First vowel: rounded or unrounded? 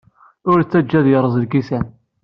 rounded